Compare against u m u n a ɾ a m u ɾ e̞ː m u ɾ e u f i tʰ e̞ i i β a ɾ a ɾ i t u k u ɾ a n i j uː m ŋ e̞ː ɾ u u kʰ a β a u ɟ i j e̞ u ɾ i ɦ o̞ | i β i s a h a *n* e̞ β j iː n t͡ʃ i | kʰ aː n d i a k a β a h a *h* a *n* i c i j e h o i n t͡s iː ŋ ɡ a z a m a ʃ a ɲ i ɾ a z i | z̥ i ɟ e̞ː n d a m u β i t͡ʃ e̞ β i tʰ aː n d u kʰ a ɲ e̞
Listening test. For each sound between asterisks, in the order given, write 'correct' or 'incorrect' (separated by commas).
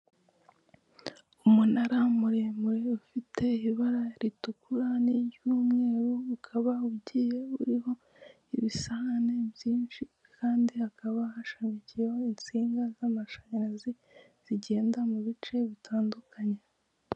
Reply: correct, incorrect, incorrect